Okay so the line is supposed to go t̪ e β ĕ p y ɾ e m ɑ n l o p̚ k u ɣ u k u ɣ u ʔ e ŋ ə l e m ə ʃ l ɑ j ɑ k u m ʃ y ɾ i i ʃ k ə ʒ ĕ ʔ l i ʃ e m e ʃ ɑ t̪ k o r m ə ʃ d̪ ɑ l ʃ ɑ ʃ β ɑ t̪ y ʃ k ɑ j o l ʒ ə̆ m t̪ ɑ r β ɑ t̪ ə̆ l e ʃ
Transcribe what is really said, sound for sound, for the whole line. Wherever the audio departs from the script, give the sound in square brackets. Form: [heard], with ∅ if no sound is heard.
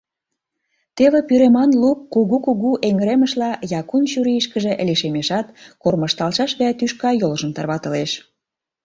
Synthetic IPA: t̪ e β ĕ p y ɾ e m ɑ n l [u] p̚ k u ɣ u k u ɣ u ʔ e ŋ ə [ɾ] e m ə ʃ l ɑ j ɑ k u [n] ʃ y ɾ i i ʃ k ə ʒ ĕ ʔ l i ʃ e m e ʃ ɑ t̪ k o r m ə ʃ [t̪] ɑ l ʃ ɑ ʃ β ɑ t̪ y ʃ k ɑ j o l ʒ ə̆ m t̪ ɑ r β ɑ t̪ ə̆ l e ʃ